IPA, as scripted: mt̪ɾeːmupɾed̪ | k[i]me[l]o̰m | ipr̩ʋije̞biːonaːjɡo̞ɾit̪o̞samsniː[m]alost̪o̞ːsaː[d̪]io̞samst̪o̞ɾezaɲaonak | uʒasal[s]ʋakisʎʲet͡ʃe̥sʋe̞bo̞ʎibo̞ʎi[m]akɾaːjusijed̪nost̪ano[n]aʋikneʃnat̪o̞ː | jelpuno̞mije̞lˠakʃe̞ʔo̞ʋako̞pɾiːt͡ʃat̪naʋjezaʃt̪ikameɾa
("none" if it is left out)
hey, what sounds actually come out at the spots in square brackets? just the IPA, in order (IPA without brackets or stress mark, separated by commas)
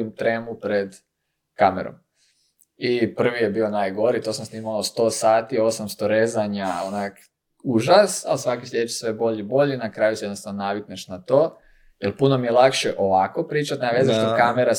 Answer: a, ɾ, m, t̪, s, n, n